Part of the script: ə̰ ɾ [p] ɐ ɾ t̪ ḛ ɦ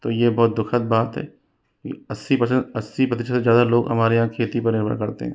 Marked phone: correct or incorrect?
incorrect